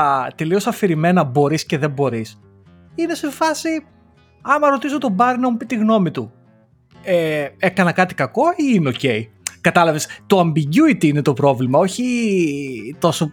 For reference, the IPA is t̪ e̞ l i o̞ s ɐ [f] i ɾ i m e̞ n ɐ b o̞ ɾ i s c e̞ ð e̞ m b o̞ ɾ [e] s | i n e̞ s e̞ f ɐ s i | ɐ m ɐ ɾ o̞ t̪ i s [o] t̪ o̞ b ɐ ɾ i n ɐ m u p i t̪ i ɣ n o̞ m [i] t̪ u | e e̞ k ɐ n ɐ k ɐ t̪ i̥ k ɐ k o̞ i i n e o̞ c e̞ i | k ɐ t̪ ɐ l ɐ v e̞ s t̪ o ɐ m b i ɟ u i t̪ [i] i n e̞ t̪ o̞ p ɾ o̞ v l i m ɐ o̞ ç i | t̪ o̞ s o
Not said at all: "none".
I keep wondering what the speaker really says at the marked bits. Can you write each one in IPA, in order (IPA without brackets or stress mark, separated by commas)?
f, i, o, i, i